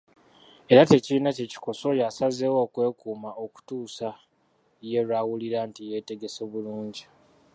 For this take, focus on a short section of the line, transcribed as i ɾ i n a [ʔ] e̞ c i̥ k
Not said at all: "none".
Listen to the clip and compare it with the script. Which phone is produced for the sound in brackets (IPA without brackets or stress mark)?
c